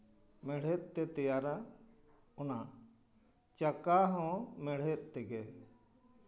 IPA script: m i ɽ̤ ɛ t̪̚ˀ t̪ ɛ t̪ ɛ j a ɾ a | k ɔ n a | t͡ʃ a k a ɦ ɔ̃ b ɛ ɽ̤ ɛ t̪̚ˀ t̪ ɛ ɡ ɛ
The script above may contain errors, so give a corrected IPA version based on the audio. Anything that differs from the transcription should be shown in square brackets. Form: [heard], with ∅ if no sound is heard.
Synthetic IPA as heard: m [ɛ] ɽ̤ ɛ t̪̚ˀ t̪ ɛ t̪ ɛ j a ɾ a | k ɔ n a | t͡ʃ a k a ɦ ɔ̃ [m] ɛ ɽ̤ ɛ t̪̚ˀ t̪ ɛ ɡ ɛ